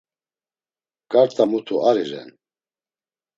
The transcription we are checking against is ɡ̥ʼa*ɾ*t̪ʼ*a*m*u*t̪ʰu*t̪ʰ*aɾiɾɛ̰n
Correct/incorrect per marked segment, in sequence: correct, correct, correct, incorrect: none

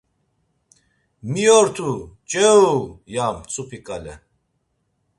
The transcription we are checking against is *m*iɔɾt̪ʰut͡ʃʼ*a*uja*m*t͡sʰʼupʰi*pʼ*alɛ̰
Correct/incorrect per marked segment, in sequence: correct, incorrect: ɛ, correct, incorrect: kʼ

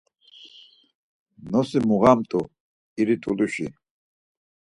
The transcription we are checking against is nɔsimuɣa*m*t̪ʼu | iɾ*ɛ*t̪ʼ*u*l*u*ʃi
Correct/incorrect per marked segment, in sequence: correct, incorrect: i, correct, correct

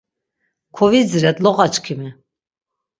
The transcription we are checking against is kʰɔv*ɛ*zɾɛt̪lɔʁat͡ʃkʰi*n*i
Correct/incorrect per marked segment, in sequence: incorrect: i, incorrect: m

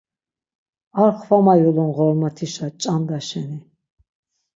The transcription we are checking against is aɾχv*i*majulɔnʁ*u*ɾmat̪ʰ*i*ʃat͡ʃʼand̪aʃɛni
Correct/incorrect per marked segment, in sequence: incorrect: a, incorrect: ɔ, correct

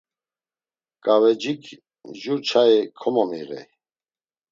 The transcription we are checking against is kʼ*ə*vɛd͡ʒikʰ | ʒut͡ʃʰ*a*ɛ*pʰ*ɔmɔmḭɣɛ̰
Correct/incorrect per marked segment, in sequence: incorrect: a, correct, incorrect: kʰ

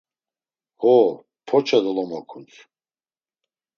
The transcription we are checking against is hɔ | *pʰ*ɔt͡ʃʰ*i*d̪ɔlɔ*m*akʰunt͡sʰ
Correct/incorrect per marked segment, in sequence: correct, incorrect: a, correct

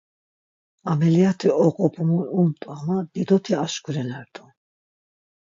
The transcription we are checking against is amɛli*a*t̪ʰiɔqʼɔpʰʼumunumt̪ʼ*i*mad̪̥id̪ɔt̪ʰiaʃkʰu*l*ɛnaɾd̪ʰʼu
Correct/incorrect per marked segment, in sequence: correct, incorrect: a, incorrect: ɾ

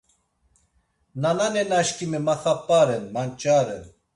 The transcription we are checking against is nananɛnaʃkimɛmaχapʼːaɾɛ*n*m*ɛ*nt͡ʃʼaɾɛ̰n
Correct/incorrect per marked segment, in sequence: correct, incorrect: a

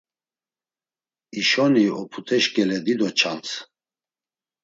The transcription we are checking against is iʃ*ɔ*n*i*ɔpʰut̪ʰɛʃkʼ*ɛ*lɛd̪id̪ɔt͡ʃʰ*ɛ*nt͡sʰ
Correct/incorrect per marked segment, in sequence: correct, correct, correct, incorrect: a

